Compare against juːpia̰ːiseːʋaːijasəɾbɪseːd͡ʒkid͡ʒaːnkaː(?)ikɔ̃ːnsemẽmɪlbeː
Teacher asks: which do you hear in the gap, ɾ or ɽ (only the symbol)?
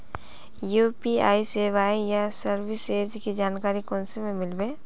ɾ